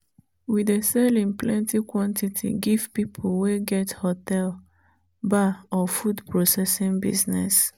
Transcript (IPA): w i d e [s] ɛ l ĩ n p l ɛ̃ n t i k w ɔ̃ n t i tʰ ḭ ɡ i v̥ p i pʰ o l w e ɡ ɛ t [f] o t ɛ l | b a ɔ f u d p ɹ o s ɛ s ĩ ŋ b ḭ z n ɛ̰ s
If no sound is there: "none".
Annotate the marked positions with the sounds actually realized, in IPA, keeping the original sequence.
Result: s, h

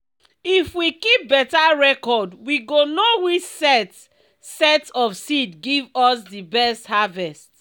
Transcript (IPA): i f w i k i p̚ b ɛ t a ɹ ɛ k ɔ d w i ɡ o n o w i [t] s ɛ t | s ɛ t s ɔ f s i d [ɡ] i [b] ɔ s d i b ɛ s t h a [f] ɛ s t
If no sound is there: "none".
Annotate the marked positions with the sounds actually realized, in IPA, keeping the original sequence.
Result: t͡ʃ, ɡ, v, v

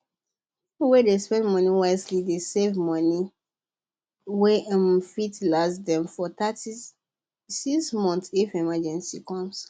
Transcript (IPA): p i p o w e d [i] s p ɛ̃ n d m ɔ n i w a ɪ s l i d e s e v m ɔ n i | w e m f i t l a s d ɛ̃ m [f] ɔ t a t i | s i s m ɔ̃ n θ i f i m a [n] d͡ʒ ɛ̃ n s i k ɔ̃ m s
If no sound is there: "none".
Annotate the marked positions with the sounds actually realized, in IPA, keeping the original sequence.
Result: e, f, none

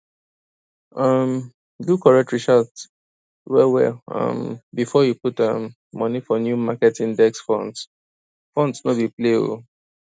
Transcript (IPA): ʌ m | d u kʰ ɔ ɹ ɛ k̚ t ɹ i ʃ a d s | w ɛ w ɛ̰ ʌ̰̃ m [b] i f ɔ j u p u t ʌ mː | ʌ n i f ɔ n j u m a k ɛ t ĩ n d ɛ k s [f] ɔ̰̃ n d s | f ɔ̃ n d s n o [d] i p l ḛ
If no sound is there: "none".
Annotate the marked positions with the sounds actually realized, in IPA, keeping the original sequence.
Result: b, f, b

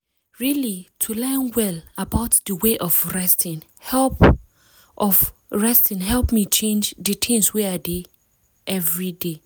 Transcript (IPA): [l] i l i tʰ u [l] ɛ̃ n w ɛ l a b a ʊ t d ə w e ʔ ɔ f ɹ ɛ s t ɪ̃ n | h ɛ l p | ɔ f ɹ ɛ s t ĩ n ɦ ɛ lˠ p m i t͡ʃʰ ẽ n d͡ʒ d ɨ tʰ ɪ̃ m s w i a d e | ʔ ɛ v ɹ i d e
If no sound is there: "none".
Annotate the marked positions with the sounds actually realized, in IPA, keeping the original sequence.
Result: ɹ, l

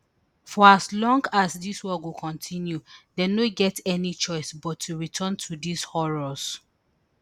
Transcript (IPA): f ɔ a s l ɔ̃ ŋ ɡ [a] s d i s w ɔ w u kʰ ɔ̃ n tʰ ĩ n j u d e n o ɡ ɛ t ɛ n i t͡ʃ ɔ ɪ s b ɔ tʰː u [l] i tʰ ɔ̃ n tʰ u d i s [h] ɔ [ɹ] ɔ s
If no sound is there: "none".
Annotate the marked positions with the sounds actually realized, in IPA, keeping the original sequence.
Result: a, ɹ, h, ɹ

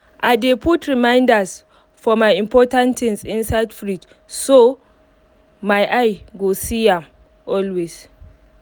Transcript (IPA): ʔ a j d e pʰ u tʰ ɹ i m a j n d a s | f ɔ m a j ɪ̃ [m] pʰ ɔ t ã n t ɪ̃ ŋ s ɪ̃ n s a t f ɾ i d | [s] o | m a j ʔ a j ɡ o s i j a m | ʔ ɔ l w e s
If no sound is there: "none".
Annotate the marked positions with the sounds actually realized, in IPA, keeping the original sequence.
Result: m, s

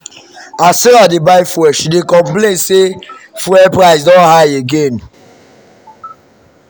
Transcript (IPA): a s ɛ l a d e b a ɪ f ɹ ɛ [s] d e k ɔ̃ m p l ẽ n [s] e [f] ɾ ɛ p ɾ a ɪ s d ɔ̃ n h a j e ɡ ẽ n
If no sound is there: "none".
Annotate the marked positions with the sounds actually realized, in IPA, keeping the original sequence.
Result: ʃ, s, f

